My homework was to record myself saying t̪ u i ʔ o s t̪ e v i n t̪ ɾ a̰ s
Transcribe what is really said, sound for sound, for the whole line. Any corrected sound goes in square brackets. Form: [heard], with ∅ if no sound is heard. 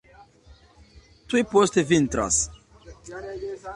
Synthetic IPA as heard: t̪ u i [p] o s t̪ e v i n t̪ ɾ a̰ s